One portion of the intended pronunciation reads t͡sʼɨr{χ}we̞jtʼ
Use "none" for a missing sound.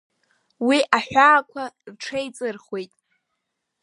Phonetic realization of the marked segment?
χ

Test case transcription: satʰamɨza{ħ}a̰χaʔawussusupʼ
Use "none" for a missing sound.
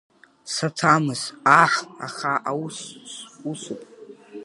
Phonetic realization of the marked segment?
ħ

